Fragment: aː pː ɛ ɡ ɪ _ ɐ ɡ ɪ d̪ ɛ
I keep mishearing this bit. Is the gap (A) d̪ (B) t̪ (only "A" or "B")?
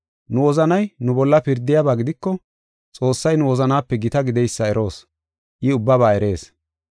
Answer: B